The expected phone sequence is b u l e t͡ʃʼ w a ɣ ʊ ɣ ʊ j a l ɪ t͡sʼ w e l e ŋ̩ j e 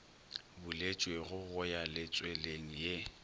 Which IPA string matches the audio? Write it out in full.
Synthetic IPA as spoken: b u l e t͡ʃʼ w e ɣ ʊ ɣ ʊ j a l ɪ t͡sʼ w e l e ŋ̩ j e